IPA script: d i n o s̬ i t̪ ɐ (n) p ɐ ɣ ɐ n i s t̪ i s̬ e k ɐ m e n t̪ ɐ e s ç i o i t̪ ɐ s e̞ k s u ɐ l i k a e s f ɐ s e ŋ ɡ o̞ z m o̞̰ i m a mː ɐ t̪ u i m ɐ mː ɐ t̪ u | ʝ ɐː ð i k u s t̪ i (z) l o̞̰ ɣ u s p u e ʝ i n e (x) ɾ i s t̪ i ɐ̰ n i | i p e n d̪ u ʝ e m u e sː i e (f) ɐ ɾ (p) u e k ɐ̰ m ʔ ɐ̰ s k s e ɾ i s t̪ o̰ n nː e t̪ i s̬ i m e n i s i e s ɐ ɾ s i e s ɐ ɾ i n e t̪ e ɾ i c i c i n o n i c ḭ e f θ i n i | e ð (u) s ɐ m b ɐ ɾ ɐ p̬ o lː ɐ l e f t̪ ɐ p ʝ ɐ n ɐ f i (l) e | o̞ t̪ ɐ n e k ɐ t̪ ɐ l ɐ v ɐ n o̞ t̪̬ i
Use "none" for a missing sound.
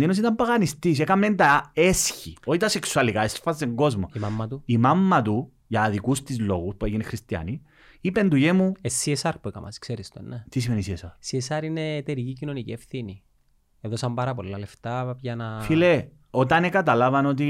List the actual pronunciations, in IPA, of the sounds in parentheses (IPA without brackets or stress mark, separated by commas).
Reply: m, z, x, s, p, o, l